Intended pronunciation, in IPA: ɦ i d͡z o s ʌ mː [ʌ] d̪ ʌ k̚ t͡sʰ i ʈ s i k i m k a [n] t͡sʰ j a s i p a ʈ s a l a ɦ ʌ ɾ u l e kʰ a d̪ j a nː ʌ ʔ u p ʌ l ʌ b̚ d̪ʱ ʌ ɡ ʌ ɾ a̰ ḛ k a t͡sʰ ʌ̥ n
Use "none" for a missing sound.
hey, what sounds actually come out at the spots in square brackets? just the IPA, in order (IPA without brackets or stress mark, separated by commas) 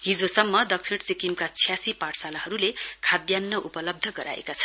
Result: ʌ, none